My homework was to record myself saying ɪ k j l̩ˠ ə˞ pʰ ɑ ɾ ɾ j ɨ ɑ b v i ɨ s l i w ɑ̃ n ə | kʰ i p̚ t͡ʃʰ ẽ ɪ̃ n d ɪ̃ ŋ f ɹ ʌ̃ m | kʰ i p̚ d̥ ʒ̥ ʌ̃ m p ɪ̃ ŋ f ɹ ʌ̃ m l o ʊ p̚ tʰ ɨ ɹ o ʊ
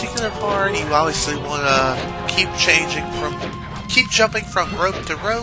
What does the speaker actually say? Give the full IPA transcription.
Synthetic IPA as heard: ɪ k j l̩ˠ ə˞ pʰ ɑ ɹ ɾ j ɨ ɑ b v i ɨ s l i w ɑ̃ n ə | kʰ i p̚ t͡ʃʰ ẽ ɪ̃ n d͡ʒ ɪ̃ ŋ f ɹ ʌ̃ m | kʰ i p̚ d̥ ʒ̥ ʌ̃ m p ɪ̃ ŋ f ɹ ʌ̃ m ɹ o ʊ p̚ tʰ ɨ ɹ o ʊ